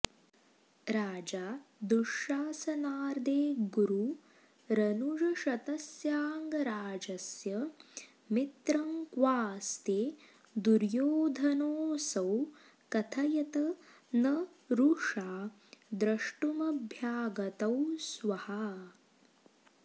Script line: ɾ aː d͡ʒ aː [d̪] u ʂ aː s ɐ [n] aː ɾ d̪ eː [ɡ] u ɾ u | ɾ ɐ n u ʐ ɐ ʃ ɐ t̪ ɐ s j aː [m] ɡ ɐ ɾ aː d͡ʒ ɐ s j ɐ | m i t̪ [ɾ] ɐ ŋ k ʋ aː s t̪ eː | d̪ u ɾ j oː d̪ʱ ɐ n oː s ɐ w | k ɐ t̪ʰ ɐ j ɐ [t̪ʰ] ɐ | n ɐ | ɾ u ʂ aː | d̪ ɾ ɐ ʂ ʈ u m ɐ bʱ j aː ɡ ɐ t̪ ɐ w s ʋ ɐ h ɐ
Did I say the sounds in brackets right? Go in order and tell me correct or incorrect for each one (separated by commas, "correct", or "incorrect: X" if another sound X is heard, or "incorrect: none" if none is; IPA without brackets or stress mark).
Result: correct, correct, correct, incorrect: ŋ, correct, incorrect: t̪